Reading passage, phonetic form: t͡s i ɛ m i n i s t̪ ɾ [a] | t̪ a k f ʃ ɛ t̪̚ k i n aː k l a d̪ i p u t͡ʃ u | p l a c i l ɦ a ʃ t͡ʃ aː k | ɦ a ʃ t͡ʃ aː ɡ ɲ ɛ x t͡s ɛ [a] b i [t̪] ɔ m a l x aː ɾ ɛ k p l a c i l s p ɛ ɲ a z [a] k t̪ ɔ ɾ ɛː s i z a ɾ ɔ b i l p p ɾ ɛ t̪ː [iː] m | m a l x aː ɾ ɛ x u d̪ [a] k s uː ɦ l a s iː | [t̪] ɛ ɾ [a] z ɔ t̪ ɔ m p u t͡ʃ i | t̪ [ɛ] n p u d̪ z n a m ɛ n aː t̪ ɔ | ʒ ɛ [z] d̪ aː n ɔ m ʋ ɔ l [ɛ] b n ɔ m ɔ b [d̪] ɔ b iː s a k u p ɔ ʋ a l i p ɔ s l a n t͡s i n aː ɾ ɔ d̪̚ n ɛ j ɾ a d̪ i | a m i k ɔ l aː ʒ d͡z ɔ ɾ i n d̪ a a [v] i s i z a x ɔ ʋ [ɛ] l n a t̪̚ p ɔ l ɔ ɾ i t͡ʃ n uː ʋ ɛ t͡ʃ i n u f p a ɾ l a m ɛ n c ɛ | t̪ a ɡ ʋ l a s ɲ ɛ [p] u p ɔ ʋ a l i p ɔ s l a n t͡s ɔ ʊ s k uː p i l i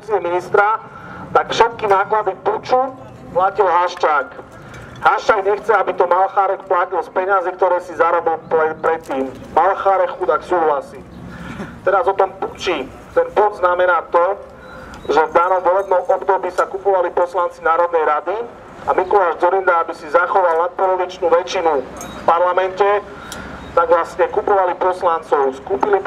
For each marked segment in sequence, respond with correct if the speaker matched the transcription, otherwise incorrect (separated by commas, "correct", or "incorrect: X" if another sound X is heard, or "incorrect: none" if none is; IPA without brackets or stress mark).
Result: correct, correct, correct, incorrect: i, correct, correct, correct, correct, correct, incorrect: v, correct, correct, incorrect: b, incorrect: a, incorrect: k